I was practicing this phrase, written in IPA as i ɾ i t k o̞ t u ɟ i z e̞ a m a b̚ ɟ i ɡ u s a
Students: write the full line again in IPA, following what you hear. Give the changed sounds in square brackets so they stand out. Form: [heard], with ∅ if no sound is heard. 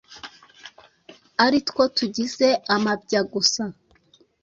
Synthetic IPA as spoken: [a] ɾ i t k o̞ t u ɟ i z e̞ a m a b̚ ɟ [a] ɡ u s a